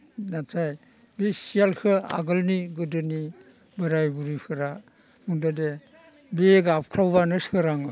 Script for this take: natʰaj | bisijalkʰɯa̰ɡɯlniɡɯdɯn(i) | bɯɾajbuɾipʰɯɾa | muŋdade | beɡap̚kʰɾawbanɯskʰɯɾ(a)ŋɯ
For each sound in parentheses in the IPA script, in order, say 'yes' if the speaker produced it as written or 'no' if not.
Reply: yes, yes

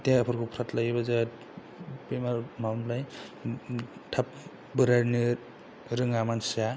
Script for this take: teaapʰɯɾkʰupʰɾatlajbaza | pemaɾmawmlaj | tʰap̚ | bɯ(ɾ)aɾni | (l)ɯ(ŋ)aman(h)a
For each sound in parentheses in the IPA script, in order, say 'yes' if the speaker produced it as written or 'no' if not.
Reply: yes, no, yes, no

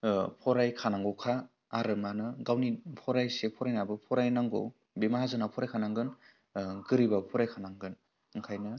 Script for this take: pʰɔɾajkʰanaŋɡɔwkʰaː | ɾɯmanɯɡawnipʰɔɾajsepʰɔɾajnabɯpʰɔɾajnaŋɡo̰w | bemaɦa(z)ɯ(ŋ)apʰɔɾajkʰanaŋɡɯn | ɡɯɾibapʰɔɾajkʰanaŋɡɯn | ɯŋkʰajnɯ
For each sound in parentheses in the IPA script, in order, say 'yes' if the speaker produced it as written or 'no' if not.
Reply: yes, no

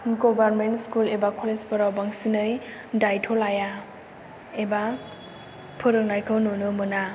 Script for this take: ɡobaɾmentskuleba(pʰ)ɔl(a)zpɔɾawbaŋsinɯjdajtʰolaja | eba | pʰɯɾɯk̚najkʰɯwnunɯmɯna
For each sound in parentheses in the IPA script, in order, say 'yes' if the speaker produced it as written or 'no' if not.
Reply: no, no

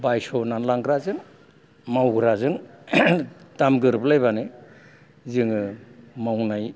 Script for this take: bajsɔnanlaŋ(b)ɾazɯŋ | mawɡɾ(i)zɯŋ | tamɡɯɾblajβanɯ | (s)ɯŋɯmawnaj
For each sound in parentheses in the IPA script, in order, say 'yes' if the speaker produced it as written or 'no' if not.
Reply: no, no, no

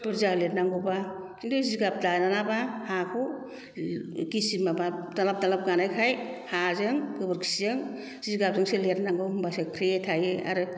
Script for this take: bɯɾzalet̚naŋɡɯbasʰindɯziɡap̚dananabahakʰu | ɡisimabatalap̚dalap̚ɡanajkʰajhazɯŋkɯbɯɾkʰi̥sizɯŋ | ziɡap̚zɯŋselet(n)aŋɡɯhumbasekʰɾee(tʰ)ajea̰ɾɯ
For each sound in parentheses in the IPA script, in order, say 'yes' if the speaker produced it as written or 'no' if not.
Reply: yes, yes

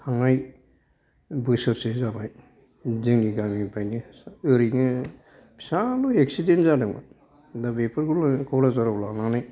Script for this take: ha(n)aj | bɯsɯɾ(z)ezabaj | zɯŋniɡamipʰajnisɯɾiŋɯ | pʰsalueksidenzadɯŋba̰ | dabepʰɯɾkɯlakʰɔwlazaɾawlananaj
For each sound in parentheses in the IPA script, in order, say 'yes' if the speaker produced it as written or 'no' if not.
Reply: no, no

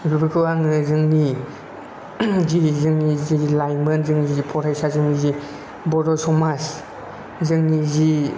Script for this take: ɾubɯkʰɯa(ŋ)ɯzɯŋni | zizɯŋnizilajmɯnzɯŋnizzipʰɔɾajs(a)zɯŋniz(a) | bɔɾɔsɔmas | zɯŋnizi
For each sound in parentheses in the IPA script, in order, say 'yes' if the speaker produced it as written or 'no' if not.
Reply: yes, yes, no

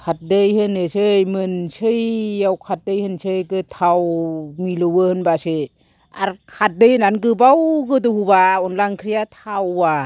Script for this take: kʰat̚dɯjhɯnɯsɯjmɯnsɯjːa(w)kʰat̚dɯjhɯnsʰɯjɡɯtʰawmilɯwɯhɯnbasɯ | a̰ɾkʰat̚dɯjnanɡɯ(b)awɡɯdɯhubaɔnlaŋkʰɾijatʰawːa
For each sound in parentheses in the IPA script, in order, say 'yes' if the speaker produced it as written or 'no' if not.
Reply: yes, yes

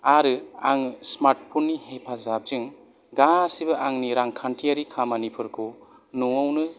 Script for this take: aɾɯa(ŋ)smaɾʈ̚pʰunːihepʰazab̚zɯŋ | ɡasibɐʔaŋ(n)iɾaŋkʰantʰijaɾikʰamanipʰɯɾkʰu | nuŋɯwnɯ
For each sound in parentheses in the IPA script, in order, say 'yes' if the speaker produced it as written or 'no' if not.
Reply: yes, yes

